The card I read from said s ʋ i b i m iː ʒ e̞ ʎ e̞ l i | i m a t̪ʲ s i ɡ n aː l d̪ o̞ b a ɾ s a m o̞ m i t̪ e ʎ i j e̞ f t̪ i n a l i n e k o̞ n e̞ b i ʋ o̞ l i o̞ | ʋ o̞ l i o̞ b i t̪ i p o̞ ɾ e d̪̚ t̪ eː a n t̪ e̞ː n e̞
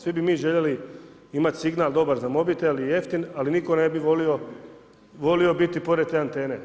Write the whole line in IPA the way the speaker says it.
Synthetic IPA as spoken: s ʋ i b i m iː ʒ e̞ ʎ e̞ l i | i m a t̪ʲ s i ɡ n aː l d̪ o̞ b a ɾ z a m o̞ b i t̪ e l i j e̞ f t̪ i n a l i n i k o̞ n e̞ b i ʋ o̞ l i o̞ | ʋ o̞ l i o̞ b i t̪ i p o̞ ɾ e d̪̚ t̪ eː a n t̪ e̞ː n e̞